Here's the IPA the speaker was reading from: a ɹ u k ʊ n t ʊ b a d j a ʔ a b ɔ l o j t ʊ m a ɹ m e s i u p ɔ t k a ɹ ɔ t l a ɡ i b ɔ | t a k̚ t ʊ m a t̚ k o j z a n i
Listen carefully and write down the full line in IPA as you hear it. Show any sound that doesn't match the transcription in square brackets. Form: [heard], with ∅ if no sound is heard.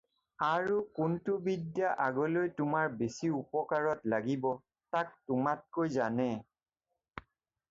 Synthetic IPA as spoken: a ɹ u k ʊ n t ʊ b [i] d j a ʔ a [ɡ] ɔ l o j t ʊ m a ɹ [b] e s i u p ɔ [∅] k a ɹ ɔ t l a ɡ i b ɔ | t a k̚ t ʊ m a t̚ k o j z a n [ɛ]